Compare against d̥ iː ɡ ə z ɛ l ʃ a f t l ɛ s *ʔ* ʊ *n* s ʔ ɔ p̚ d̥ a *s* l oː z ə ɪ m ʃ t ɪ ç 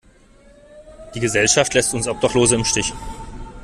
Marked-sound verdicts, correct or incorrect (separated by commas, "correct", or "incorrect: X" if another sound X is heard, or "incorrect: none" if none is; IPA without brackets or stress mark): incorrect: t, correct, incorrect: χ